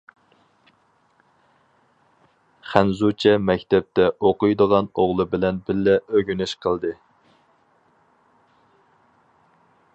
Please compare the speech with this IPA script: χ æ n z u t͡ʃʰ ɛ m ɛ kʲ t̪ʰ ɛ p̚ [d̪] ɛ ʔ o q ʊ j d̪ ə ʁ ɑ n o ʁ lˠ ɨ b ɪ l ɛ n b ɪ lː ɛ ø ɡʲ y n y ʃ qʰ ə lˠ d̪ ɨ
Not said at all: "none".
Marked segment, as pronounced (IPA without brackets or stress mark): t̪